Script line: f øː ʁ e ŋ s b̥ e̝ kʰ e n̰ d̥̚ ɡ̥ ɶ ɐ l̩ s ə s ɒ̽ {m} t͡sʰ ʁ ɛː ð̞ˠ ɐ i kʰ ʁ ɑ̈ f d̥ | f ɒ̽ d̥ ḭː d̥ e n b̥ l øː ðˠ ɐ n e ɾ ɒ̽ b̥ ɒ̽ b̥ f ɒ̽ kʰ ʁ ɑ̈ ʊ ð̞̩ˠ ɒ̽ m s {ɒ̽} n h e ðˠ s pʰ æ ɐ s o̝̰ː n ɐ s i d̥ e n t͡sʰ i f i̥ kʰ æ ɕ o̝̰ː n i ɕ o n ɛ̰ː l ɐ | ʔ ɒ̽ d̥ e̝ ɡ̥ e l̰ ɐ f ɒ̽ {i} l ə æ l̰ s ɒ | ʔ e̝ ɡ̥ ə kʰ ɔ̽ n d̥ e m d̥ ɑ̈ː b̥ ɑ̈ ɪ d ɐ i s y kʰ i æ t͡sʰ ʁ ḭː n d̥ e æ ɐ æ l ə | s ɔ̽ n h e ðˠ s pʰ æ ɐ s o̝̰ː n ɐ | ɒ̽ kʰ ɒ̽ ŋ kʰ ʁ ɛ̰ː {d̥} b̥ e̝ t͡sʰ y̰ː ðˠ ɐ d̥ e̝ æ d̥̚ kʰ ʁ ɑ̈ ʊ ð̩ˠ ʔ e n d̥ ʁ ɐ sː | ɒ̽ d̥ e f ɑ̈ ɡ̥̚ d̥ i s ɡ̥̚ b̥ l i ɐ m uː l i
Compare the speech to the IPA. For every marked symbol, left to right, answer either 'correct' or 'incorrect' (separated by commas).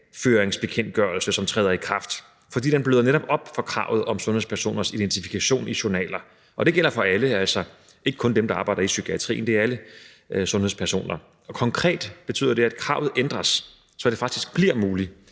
correct, incorrect, incorrect, correct